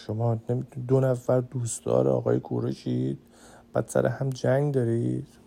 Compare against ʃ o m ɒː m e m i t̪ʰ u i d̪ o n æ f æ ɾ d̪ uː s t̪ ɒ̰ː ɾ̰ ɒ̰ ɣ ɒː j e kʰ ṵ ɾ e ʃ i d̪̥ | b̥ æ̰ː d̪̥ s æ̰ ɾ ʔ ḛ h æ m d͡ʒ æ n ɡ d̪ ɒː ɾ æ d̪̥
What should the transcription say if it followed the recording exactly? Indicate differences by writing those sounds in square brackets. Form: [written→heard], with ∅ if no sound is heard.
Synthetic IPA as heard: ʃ o m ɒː [m→n] e m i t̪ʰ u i d̪ o n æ f æ ɾ d̪ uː s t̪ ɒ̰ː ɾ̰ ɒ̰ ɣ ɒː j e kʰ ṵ ɾ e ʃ i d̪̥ | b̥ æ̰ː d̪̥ s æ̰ ɾ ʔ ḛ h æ m d͡ʒ æ [n→ŋ] ɡ d̪ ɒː ɾ [æ→i] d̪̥